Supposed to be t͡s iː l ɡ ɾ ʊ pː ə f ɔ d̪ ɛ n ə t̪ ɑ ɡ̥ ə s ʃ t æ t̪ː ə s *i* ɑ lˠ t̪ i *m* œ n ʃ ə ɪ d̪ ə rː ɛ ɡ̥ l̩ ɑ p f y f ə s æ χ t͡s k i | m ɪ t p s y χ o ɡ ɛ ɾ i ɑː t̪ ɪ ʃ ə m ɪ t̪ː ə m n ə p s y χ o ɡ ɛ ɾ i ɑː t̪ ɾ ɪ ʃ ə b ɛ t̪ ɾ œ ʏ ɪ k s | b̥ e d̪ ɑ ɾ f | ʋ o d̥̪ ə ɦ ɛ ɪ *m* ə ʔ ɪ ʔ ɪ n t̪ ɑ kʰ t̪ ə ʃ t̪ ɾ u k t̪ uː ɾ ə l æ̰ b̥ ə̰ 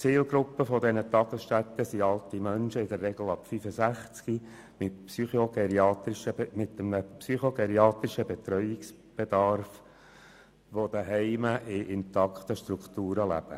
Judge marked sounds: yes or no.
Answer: yes, yes, yes

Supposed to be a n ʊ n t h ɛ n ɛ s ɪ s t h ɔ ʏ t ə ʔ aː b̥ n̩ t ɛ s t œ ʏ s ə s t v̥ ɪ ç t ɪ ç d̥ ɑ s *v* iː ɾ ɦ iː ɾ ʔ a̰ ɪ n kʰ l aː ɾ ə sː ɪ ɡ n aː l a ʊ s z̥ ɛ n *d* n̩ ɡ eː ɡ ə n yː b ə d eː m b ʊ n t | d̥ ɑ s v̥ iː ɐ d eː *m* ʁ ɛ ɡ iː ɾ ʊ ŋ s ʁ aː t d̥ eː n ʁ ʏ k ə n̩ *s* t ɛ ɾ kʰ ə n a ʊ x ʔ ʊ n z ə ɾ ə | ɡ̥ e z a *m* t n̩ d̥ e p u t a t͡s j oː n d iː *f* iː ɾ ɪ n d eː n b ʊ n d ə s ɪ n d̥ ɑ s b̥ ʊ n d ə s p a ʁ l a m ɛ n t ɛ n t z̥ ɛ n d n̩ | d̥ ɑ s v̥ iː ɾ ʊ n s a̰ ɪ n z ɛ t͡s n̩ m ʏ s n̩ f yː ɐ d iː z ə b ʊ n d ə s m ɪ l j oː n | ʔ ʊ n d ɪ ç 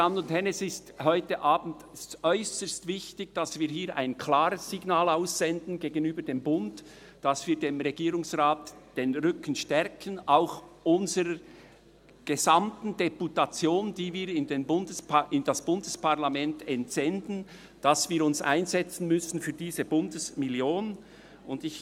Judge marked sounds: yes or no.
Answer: yes, yes, yes, no, yes, no

